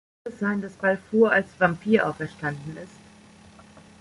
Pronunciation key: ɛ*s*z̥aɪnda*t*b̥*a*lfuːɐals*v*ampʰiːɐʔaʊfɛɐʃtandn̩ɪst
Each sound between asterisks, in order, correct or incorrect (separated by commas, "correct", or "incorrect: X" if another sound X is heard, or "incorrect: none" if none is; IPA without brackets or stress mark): correct, incorrect: s, correct, correct